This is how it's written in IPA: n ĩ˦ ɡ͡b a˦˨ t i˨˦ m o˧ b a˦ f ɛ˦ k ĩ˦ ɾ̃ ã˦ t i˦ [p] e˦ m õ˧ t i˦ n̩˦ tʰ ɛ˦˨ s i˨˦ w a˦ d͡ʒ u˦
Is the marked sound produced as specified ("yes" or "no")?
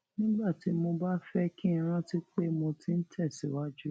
no